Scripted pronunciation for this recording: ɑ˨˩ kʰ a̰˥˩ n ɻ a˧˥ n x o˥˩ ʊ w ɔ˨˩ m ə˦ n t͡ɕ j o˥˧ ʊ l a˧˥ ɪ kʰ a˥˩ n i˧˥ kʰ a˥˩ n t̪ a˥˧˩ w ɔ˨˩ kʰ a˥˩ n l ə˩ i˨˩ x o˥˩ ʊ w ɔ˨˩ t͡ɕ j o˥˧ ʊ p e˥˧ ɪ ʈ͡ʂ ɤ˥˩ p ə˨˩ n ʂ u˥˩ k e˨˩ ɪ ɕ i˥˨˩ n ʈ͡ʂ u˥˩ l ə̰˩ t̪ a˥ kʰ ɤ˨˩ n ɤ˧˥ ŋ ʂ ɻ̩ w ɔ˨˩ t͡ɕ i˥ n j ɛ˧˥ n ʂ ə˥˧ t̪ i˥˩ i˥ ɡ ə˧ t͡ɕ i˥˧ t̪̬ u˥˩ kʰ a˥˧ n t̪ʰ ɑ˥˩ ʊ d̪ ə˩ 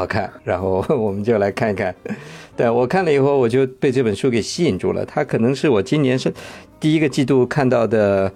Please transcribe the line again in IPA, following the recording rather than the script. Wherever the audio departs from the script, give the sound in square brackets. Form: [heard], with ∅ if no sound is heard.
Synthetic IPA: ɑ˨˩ kʰ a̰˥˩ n ɻ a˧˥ n x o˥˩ ʊ w ɔ˨˩ m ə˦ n t͡ɕ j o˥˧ ʊ l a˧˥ ɪ kʰ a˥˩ n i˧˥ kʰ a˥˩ n t̪ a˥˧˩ w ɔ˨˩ kʰ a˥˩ n l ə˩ i˨˩ x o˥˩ ʊ w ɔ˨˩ t͡ɕ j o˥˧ ʊ p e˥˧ ɪ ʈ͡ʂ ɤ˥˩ p ə˨˩ n ʂ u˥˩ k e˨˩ ɪ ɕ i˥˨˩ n ʈ͡ʂ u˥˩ l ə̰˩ [t̪ʰ] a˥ kʰ ɤ˨˩ n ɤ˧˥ ŋ ʂ ɻ̩ w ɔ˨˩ t͡ɕ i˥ n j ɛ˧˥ n ʂ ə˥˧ t̪ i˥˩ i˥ ɡ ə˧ t͡ɕ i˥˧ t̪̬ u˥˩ kʰ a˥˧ n [t̪] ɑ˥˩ ʊ d̪ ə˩